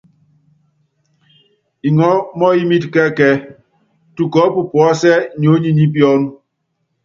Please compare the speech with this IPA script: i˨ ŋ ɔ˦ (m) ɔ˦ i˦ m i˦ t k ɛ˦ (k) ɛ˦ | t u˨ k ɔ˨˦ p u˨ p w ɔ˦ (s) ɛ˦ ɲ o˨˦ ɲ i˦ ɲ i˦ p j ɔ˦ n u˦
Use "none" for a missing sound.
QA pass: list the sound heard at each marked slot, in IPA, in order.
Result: m, k, s

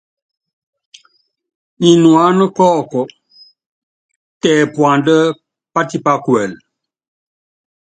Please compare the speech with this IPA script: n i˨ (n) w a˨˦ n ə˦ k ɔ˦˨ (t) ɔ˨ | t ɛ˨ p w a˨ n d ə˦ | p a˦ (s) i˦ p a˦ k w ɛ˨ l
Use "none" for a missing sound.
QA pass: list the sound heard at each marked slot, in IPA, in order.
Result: n, k, t

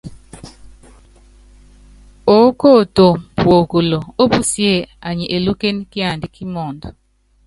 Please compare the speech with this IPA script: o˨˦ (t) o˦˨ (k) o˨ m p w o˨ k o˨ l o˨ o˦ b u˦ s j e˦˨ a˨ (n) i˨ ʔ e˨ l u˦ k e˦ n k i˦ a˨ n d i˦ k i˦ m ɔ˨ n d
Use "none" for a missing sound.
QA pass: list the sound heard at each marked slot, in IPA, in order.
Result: k, t, ɲ

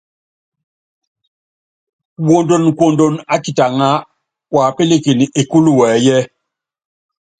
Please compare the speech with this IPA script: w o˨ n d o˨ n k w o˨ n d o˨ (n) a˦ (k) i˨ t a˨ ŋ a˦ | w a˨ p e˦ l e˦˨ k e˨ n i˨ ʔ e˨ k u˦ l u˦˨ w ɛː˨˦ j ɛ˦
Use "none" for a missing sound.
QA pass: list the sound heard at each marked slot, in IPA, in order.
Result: n, k

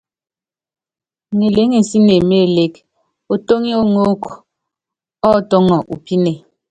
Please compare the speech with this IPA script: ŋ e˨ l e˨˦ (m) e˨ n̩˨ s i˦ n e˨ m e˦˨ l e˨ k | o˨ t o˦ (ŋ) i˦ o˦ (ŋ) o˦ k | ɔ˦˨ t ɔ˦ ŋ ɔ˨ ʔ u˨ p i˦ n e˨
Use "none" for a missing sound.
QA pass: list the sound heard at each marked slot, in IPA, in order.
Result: ŋ, ŋ, ŋ

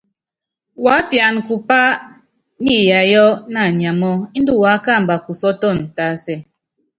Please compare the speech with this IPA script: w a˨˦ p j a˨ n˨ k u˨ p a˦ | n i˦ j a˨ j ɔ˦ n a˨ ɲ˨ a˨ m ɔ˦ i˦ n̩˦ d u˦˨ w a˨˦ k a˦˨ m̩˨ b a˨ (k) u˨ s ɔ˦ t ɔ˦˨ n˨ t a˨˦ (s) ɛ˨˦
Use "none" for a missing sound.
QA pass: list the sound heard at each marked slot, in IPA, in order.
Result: k, s

